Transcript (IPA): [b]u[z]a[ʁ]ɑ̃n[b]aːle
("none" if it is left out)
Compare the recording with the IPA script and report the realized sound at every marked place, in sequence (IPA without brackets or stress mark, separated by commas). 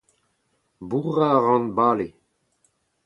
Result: b, ʁ, ʁ, b